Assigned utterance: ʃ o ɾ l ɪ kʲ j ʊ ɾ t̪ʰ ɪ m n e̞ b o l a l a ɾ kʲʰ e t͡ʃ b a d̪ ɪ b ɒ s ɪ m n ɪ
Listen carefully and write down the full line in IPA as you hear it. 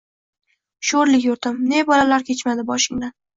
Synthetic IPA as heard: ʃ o ɾ l ɪ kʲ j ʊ ɾ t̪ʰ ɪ m n e̞ b ɒ l a l a ɾ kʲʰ e t͡ʃ m a d̪ ɪ b ɒ ʃ ɪ ŋ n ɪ